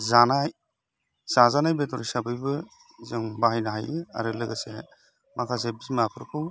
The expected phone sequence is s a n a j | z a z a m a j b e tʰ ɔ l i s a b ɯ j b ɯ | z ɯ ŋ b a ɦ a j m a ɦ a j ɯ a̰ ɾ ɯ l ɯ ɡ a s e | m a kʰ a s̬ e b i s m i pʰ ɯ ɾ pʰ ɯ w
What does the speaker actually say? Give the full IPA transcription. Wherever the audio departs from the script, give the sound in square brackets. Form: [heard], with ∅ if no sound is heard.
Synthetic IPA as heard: [z] a n a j | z a z a [n] a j b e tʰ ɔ [ɾ] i s a b ɯ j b ɯ | z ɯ ŋ b a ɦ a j [n] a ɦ a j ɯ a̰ ɾ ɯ l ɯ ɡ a s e | m a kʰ a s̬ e b i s m [a] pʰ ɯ ɾ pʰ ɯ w

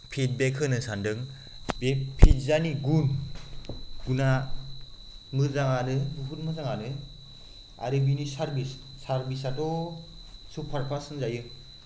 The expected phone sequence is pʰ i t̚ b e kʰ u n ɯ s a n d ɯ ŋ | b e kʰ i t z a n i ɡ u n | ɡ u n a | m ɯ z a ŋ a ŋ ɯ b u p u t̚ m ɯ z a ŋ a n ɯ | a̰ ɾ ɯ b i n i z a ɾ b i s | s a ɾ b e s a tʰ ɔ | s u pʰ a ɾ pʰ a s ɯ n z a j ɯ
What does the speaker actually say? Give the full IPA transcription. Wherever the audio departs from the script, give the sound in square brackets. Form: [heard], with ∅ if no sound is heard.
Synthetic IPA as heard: pʰ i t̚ b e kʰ [ɯ] n ɯ s a n d ɯ ŋ | b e [pʰ] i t z a n i ɡ u n | ɡ u n a | m ɯ z a ŋ a [n] ɯ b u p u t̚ m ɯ z a ŋ a n ɯ | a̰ ɾ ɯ b i n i [s] a ɾ b i s | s a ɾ b [i] s a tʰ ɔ | s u pʰ a ɾ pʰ a s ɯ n z a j ɯ

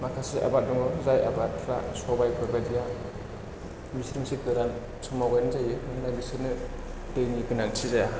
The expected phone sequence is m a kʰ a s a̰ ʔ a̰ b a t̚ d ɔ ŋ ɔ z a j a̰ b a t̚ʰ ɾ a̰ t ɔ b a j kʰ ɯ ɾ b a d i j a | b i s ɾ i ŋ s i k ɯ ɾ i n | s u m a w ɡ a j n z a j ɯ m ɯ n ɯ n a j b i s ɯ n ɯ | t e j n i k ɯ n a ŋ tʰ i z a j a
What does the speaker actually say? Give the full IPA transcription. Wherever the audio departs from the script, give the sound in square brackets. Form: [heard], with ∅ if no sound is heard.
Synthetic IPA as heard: m a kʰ a s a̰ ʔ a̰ b a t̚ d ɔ ŋ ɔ z a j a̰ b a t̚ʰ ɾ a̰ [s] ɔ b a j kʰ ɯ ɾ b a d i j a | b i s ɾ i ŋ s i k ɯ ɾ [a] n | s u m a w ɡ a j n z a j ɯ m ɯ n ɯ n a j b i s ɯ n ɯ | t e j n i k ɯ n a ŋ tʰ i z a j a

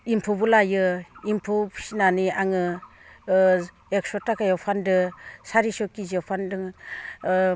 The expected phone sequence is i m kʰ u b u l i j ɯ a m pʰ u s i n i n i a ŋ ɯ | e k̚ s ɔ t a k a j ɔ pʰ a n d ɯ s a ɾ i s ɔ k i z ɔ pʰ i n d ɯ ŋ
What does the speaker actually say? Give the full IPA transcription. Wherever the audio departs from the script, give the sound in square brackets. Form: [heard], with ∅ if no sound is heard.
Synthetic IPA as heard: i m [pʰ] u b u l [a] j ɯ [i] m pʰ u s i n [a] n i a ŋ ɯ | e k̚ s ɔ t a k a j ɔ pʰ a n d ɯ s a ɾ i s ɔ k i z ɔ pʰ [a] n d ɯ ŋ

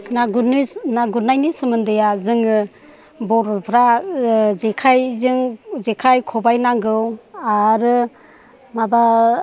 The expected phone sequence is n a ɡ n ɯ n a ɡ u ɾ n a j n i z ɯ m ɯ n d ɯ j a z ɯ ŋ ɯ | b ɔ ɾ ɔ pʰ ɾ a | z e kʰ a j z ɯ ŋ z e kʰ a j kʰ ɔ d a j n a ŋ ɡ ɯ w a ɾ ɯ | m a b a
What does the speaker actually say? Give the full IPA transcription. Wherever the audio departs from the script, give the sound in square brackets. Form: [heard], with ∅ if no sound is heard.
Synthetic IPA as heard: n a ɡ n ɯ n a ɡ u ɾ n a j n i [s] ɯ m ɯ n d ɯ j a z ɯ ŋ ɯ | b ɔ ɾ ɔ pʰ ɾ a | z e kʰ a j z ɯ ŋ z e kʰ a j kʰ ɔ [b] a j n a ŋ ɡ ɯ w a ɾ ɯ | m a b a

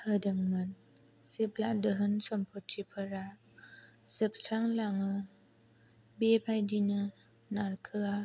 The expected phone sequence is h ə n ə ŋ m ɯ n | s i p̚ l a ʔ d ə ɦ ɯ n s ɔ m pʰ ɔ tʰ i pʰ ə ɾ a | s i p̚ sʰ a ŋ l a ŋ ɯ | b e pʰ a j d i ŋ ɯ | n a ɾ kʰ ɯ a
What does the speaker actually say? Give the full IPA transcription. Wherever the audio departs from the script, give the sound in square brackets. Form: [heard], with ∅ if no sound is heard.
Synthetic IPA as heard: h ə [d] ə ŋ m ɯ n | s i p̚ l a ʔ d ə ɦ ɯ n s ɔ m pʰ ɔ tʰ i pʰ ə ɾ a | s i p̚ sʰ a ŋ l a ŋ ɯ | b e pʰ a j d i [n] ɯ | n a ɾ kʰ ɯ a

